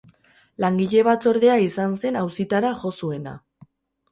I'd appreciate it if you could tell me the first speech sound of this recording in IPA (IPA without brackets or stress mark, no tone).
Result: l